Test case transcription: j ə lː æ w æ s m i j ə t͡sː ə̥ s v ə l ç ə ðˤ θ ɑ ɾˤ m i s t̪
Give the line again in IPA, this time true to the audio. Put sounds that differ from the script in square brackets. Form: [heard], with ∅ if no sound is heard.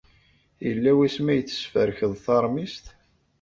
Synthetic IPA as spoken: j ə lː æ w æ s m [æ] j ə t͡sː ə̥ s [f] ə [ɾ] ç ə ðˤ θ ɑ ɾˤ m i s t̪